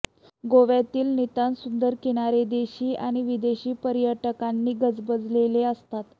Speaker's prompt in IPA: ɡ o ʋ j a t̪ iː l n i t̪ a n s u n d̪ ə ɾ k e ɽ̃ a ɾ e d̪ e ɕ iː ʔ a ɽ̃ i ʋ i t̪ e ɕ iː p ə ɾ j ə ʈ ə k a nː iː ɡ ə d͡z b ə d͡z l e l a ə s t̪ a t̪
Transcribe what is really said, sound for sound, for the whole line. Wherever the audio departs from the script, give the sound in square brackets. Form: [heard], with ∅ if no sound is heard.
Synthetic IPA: ɡ o ʋ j a t̪ iː l n i t̪ a n s u n d̪ ə ɾ k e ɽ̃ a ɾ e d̪ e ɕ iː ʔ a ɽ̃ i ʋ i [d̪] e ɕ iː p ə ɾ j ə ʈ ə k a nː iː ɡ ə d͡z b ə d͡z l e l [e] ə s t̪ a t̪